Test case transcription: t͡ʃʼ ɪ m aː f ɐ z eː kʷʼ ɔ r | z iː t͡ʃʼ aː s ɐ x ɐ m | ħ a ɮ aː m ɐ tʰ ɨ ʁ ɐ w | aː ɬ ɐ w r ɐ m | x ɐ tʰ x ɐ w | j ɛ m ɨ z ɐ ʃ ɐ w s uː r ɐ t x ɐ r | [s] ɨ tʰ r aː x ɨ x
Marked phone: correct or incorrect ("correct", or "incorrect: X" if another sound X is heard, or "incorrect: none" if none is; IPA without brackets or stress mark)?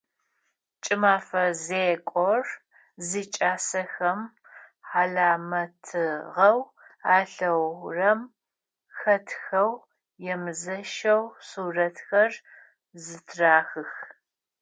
incorrect: z